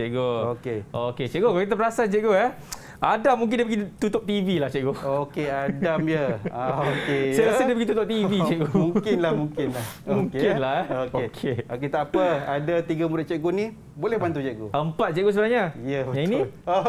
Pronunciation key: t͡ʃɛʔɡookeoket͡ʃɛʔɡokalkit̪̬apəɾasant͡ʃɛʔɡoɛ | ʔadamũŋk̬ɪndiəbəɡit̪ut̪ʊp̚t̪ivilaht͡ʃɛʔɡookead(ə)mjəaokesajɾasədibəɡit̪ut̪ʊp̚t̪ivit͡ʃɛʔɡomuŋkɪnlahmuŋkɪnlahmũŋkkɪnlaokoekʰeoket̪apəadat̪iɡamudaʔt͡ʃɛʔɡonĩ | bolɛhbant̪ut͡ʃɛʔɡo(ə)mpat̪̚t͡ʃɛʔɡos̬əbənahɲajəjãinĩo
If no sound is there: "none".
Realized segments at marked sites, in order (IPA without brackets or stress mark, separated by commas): a, ə